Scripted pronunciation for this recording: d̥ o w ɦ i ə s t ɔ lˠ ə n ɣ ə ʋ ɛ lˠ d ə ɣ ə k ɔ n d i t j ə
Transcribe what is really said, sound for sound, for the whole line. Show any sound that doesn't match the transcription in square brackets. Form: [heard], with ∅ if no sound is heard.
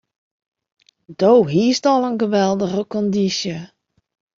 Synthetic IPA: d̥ o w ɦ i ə s t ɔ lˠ ə n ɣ ə ʋ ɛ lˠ d ə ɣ ə k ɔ n d i [s] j ə